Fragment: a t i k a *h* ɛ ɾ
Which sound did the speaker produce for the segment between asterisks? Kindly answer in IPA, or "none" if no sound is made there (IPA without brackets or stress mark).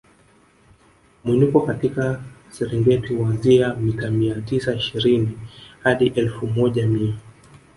s